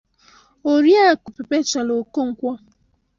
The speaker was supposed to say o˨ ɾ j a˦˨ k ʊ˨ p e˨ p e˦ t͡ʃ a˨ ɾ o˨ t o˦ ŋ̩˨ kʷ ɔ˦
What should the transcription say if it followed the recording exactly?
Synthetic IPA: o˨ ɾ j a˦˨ k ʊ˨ p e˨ p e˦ t͡ʃ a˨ l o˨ k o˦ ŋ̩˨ kʷ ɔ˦